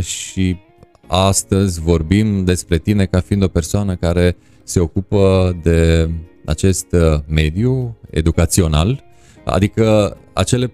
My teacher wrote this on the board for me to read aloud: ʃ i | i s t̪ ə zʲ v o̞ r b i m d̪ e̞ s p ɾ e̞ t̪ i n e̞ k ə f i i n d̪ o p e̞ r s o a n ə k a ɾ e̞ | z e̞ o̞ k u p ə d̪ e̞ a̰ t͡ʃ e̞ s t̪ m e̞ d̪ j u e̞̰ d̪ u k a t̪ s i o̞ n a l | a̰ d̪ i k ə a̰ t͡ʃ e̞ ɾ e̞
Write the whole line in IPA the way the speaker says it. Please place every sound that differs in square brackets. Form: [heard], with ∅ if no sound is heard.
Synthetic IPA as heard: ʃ i | [a] s t̪ ə zʲ v o̞ r b i m d̪ e̞ s p ɾ e̞ t̪ i n e̞ k [a] f i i n d̪ o p e̞ r s o a n ə k a ɾ e̞ | [s] e̞ o̞ k u p ə d̪ e̞ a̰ t͡ʃ e̞ s t̪ m e̞ d̪ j u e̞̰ d̪ u k a t̪ s i o̞ n a l | a̰ d̪ i k ə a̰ t͡ʃ e̞ [l] e̞